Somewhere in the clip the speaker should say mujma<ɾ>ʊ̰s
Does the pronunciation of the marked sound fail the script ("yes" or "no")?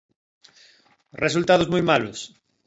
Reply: yes